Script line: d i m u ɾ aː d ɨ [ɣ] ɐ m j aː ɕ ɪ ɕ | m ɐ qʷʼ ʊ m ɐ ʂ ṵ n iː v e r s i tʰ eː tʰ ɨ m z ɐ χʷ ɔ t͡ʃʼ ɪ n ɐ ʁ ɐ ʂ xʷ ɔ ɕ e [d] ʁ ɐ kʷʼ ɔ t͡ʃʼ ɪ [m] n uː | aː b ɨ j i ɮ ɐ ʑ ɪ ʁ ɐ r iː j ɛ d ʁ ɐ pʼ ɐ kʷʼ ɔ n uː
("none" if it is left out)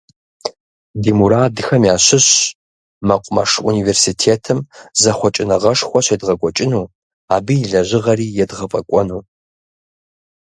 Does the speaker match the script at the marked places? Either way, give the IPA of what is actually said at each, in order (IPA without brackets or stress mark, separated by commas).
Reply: x, d, none